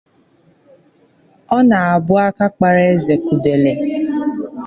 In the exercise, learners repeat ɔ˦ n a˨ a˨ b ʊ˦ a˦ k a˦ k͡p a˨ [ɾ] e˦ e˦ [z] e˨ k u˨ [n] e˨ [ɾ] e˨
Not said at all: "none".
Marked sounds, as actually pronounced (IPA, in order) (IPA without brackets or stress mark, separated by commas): ɾ, z, d, l